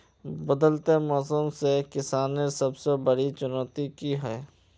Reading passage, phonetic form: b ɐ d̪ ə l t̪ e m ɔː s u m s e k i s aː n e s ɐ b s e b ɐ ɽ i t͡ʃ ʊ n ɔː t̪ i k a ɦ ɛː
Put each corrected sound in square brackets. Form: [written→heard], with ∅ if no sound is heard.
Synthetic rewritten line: b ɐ d̪ ə l t̪ e m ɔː s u m s e k [i→ɪ] s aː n e s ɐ b s e b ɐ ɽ i t͡ʃ ʊ n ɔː t̪ i k [a→i] ɦ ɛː